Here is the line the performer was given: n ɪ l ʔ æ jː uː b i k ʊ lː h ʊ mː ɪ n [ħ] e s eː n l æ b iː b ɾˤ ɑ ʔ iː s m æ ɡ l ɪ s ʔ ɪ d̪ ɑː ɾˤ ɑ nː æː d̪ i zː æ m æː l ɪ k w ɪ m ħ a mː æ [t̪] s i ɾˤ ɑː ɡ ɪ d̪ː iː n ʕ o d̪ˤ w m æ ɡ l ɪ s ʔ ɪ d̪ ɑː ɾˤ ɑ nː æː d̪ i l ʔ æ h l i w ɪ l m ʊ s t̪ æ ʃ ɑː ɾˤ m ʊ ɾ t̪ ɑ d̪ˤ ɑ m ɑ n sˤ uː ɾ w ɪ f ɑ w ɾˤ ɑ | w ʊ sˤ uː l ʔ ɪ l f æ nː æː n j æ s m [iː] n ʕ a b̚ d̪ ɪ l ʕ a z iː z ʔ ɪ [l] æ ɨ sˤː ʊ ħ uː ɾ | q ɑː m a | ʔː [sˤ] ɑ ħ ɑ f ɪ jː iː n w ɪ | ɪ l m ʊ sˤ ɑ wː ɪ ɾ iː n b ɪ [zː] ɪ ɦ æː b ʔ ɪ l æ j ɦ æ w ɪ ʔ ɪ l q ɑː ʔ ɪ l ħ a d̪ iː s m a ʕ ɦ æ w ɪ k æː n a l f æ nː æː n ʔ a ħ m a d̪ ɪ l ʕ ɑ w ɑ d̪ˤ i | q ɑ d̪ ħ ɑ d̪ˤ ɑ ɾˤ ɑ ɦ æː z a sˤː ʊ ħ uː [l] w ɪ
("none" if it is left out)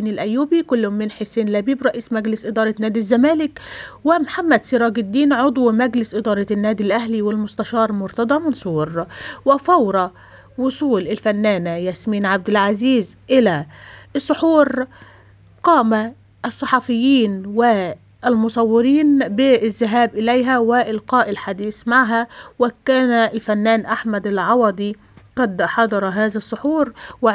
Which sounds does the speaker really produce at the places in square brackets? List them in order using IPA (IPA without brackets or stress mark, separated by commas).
ħ, d̪, iː, l, sˤː, zː, ɾ